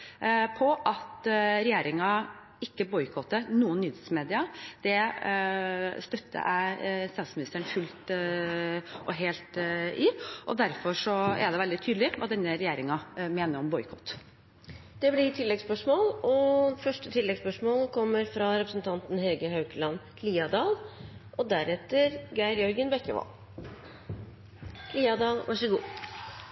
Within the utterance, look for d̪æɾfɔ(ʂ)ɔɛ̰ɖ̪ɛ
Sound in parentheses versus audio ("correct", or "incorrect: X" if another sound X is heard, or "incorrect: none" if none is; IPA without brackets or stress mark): correct